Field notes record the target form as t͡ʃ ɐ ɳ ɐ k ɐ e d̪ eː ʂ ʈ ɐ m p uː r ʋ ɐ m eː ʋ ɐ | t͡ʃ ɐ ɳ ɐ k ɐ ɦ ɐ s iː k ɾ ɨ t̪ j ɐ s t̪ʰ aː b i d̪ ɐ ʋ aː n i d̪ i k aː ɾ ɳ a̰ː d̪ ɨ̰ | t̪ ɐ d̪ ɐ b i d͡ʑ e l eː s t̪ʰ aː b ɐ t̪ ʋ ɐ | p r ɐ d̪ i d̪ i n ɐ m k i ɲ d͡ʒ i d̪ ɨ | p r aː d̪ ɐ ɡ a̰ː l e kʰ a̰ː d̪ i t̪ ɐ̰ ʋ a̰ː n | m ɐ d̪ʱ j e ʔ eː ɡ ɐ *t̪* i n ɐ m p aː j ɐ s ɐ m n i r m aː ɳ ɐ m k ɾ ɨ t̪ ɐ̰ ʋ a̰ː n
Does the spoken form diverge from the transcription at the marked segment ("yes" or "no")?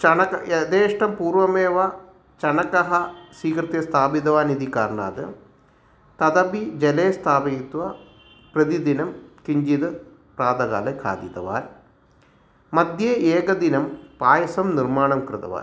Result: yes